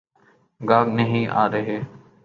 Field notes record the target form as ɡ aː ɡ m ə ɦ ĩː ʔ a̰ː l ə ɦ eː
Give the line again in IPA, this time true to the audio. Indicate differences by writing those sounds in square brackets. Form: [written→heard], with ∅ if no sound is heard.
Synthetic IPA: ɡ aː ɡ [m→n] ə ɦ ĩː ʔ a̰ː [l→ɾ] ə ɦ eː